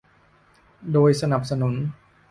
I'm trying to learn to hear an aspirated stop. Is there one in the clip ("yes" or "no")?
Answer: no